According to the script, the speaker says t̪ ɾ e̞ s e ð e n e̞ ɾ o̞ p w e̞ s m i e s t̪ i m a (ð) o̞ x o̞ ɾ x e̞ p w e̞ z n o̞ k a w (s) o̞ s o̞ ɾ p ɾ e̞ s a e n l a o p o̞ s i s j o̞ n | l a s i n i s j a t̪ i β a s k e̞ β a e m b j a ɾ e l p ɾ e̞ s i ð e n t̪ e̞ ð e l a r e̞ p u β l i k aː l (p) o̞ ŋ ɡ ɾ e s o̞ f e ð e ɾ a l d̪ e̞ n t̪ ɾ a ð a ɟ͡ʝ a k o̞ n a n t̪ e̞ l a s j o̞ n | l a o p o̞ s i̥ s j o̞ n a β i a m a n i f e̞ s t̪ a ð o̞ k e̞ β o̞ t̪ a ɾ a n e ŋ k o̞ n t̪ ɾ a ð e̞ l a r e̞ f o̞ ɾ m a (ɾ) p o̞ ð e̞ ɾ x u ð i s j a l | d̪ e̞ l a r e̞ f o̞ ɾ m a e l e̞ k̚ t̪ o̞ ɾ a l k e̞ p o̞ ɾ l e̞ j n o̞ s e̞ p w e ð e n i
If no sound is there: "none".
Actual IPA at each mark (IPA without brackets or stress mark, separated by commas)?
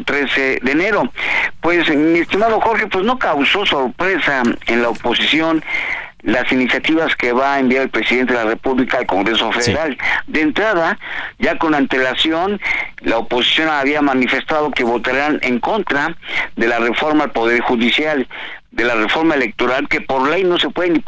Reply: ð, s, k, l